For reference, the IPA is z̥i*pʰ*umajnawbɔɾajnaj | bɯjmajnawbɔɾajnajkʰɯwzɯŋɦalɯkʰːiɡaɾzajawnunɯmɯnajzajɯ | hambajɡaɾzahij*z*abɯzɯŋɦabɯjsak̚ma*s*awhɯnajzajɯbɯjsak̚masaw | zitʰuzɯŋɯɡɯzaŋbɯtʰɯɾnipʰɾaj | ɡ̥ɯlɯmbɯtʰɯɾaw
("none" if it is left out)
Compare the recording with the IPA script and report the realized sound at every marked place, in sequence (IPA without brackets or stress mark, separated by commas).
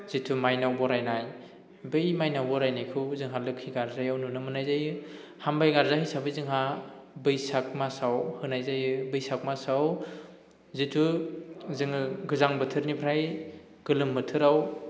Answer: tʰ, s, s